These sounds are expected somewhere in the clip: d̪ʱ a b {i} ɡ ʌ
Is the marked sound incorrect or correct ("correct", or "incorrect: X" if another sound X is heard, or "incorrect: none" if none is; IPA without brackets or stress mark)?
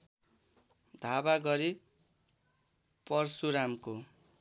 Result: incorrect: a